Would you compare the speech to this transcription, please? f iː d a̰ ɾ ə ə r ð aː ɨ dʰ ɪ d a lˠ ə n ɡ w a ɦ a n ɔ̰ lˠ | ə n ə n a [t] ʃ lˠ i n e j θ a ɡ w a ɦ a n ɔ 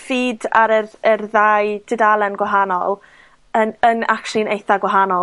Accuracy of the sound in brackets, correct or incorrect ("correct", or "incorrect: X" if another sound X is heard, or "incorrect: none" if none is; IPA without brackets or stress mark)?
incorrect: k